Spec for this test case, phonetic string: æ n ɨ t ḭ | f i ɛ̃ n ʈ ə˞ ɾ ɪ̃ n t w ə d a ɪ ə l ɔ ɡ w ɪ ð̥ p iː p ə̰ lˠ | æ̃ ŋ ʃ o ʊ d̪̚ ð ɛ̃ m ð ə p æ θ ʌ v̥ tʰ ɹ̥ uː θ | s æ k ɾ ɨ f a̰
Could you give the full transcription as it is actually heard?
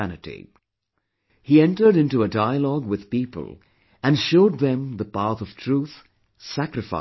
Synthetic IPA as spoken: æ n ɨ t ḭ | h i ɛ̃ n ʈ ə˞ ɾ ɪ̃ n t u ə d a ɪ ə l ɔ ɡ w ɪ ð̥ p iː p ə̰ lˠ | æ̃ n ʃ o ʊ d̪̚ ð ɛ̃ m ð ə p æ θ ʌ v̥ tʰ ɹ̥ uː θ | s æ k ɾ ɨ f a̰